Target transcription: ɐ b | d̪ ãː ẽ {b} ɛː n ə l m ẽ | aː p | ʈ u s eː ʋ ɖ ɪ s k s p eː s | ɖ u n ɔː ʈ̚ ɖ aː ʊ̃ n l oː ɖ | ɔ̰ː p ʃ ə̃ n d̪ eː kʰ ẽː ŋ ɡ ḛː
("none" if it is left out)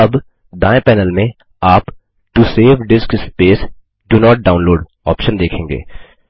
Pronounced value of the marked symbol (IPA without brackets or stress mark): p